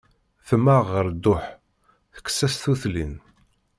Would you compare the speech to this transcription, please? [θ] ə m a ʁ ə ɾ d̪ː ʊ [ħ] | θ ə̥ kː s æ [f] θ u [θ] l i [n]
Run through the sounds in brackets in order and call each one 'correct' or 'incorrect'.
correct, correct, incorrect: s, correct, correct

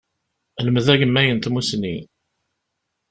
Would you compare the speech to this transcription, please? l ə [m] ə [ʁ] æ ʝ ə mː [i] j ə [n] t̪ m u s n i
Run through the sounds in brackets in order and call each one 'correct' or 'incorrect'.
correct, incorrect: ð, incorrect: æ, correct

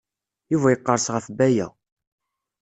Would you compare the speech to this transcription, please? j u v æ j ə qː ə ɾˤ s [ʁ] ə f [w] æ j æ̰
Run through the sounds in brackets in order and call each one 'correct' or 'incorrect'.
correct, incorrect: b

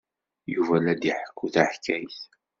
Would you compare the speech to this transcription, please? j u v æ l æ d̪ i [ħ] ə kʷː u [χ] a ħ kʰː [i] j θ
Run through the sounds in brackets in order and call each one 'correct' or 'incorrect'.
correct, incorrect: θ, incorrect: æ

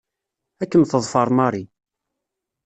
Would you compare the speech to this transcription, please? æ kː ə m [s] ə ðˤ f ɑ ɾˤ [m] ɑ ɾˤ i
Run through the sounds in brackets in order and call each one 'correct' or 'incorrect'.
incorrect: θ, correct

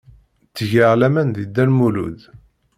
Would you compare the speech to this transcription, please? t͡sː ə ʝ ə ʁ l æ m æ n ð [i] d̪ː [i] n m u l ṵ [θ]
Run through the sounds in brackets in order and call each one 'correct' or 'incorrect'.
correct, incorrect: æ, incorrect: ð

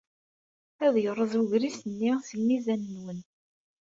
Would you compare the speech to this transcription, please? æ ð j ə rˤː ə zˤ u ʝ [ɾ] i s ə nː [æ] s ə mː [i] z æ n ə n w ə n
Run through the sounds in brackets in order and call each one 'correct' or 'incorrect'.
correct, incorrect: i, correct

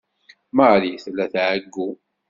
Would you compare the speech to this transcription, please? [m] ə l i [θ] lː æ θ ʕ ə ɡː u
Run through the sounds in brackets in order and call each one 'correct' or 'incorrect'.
correct, correct

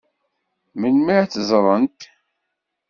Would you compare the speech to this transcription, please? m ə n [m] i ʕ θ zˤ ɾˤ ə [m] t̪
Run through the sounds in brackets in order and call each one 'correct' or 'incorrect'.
correct, incorrect: n

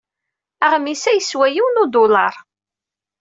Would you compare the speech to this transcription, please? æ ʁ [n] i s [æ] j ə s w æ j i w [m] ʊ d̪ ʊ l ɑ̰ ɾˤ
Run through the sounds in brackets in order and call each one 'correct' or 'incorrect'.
incorrect: m, correct, incorrect: n

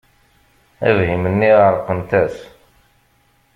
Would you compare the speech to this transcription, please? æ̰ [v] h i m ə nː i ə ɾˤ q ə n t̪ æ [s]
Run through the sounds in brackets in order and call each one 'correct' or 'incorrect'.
correct, correct

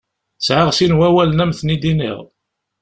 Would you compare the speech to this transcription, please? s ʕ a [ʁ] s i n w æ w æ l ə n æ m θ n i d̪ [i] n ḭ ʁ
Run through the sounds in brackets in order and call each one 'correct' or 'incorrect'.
correct, correct

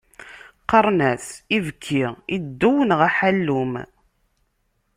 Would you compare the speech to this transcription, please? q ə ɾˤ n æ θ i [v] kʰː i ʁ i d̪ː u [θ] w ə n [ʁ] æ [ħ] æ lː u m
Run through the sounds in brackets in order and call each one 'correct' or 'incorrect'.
correct, incorrect: none, correct, correct

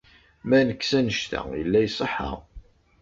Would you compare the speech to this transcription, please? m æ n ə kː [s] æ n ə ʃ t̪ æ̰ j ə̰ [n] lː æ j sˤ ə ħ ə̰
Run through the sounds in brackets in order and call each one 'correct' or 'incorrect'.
correct, incorrect: none

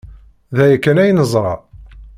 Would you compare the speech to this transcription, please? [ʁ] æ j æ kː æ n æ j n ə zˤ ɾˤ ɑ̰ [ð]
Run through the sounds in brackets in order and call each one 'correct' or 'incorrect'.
incorrect: ð, incorrect: none

